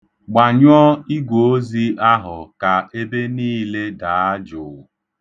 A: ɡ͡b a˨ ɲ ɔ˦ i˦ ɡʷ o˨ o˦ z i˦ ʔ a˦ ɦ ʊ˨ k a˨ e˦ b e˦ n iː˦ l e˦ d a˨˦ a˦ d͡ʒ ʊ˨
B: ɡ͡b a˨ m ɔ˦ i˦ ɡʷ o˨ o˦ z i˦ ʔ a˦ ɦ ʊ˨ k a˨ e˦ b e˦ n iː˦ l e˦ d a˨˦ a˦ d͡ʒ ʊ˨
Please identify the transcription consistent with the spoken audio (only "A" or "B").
A